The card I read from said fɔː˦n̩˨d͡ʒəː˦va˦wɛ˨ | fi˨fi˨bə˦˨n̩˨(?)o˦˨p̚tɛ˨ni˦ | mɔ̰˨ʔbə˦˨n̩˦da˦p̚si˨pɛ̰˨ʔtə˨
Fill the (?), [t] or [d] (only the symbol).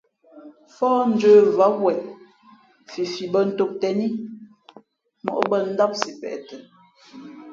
t